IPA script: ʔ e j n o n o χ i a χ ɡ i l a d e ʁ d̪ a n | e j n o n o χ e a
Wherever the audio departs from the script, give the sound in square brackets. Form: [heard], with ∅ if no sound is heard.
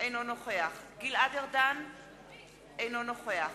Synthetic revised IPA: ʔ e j n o n o χ [e] a χ ɡ i l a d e ʁ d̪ a n | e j n o n o χ e a